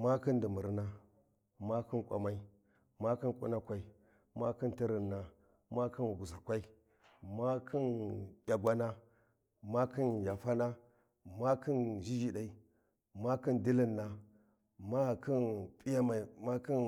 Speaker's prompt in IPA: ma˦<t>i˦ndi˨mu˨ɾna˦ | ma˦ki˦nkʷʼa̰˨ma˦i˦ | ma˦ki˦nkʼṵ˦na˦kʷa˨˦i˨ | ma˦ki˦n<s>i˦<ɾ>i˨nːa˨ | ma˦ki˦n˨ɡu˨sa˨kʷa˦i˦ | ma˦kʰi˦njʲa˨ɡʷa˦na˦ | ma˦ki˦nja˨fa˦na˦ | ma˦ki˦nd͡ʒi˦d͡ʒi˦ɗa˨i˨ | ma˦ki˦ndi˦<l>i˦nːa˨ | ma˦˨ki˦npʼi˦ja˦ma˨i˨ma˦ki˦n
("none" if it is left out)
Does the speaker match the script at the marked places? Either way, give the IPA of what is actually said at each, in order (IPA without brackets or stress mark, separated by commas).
k, t, ɾ, l